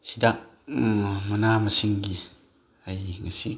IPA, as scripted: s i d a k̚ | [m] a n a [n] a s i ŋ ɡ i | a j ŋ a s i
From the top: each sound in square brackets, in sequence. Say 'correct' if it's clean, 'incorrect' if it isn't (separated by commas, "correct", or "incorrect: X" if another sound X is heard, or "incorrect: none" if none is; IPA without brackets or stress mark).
correct, incorrect: m